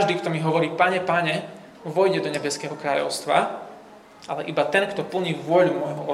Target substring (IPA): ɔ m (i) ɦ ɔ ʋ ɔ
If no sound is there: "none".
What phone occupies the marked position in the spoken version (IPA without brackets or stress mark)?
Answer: i